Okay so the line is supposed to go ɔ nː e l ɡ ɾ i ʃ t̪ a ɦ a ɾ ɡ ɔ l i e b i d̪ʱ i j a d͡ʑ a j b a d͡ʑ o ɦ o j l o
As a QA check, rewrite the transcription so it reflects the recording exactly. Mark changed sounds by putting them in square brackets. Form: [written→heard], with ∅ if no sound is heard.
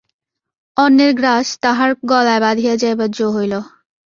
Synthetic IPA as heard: ɔ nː e [l→ɾ] ɡ ɾ [i→a] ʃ t̪ a ɦ a ɾ ɡ ɔ l [i→a] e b [i→a] d̪ʱ i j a d͡ʑ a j b a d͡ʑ o ɦ o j l o